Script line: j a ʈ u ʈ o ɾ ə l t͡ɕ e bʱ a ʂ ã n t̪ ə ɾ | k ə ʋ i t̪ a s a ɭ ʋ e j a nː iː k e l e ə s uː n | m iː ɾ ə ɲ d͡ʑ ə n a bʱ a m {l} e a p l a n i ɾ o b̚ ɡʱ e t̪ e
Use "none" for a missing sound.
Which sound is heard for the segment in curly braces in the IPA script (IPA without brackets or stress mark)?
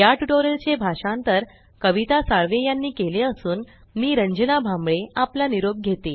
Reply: ɭ